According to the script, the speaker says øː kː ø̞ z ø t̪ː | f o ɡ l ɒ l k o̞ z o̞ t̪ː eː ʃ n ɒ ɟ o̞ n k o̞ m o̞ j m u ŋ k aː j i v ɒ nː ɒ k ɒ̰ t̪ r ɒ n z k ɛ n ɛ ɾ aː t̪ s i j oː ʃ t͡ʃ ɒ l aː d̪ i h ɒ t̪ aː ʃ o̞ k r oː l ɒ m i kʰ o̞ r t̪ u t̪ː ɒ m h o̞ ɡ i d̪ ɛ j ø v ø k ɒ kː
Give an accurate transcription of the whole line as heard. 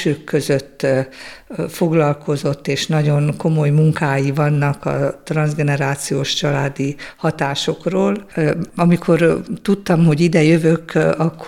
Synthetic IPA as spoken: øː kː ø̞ z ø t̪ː | f o ɡ l ɒ l k o̞ z o̞ t̪ː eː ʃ n ɒ ɟ o̞ n k o̞ m o̞ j m u ŋ k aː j i v ɒ nː ɒ k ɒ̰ t̪ r ɒ n z ɡ ɛ n ɛ ɾ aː t̪ s i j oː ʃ t͡ʃ ɒ l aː d̪ i h ɒ t̪ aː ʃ o̞ k r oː l ɒ m i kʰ o̞ r t̪ u t̪ː ɒ m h o̞ ɟ i d̪ ɛ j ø v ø k ɒ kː